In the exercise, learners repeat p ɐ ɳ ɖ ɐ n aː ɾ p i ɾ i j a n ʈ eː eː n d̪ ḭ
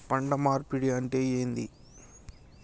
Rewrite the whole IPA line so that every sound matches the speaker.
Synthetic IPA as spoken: p ɐ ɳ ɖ ɐ m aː ɾ p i ɽ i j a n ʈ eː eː n d̪ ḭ